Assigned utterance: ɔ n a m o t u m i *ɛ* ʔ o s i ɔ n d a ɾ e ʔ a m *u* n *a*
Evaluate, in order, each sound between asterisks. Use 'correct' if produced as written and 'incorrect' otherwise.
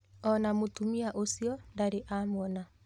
incorrect: a, incorrect: ɔ, correct

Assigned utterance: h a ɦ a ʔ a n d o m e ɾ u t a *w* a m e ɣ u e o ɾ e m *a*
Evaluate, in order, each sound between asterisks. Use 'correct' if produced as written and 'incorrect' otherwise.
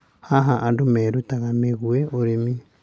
incorrect: ɣ, incorrect: i

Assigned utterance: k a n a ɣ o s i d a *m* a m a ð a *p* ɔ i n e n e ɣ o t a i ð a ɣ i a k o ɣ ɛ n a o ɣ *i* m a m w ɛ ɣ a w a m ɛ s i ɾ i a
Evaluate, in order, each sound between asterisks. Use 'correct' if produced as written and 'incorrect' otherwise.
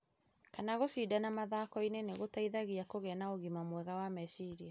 incorrect: n, incorrect: k, correct

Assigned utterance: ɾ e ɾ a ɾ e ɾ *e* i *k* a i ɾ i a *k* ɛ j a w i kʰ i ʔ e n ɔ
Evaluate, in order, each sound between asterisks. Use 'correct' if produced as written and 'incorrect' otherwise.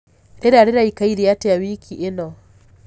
incorrect: a, correct, incorrect: t

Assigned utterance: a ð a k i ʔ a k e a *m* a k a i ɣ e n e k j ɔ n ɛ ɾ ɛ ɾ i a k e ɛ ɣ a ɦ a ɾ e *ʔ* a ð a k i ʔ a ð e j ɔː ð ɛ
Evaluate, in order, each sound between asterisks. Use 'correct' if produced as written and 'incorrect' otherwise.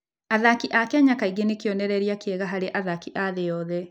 incorrect: ɲ, correct

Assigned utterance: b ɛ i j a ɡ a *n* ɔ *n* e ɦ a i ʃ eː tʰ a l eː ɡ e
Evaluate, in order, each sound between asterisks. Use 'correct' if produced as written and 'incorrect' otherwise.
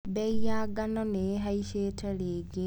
correct, correct

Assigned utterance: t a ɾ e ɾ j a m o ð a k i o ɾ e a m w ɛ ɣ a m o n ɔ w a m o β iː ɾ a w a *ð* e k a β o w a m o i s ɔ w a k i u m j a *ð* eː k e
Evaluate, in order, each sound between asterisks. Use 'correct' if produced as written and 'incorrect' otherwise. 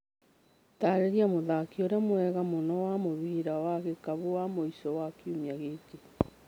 incorrect: ɣ, incorrect: ɣ

